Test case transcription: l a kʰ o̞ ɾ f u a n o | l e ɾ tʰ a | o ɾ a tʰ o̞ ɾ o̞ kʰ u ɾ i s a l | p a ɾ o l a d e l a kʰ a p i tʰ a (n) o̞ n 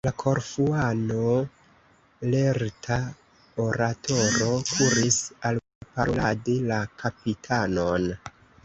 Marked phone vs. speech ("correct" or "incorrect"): correct